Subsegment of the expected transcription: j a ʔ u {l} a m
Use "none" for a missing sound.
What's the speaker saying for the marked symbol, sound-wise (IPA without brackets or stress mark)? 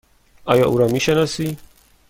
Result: ɾ